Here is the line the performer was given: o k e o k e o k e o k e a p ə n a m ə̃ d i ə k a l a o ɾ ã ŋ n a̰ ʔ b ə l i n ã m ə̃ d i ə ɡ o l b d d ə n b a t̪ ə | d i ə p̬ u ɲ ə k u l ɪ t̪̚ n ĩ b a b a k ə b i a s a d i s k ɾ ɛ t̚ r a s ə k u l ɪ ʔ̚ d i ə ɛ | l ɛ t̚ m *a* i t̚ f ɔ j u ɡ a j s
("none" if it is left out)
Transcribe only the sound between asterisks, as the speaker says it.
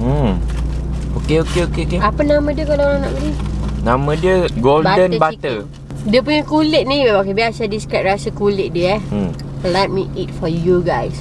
i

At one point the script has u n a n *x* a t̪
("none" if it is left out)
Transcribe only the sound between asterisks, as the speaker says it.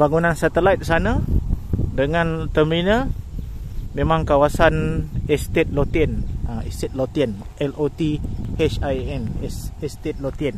s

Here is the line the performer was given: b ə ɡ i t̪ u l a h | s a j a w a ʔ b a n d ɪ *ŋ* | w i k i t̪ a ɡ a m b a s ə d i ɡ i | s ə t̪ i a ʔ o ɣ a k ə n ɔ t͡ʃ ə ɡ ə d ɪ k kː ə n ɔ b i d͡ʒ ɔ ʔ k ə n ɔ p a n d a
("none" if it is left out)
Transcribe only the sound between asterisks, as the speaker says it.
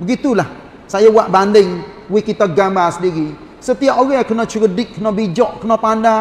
ŋ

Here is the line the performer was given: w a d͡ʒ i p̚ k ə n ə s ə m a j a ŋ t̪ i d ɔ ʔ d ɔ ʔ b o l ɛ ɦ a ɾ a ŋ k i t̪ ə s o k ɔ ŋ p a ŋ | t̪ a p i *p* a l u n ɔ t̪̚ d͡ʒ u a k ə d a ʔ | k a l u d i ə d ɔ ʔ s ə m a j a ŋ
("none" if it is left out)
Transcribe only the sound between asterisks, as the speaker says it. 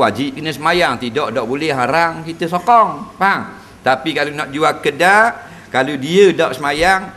k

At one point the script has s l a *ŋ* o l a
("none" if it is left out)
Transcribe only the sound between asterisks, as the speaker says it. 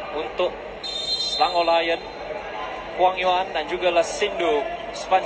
ŋ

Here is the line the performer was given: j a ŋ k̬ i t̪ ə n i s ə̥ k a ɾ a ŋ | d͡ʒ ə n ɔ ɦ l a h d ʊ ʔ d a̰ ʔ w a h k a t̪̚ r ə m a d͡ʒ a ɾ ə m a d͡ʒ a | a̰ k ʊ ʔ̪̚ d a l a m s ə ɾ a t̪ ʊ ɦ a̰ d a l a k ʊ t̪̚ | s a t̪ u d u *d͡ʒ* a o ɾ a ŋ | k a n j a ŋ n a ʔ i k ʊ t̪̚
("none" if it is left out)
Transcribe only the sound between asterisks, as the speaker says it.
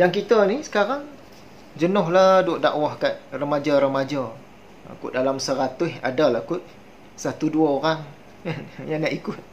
none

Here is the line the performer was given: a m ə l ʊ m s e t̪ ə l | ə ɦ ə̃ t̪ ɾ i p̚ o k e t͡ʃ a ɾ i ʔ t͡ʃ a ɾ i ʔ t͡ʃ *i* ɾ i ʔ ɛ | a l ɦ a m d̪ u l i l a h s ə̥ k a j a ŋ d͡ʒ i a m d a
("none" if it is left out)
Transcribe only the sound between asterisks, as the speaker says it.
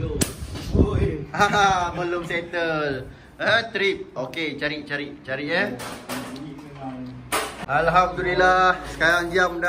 a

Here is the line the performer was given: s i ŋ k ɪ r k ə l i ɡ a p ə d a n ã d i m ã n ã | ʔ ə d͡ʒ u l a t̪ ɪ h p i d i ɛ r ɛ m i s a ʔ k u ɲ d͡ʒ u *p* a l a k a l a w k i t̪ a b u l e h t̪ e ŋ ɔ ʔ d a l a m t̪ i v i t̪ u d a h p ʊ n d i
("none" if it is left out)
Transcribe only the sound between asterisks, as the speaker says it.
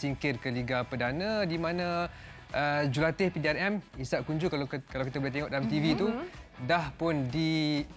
k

